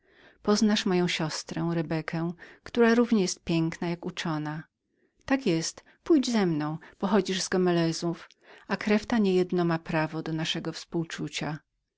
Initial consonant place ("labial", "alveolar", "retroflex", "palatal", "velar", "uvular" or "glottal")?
labial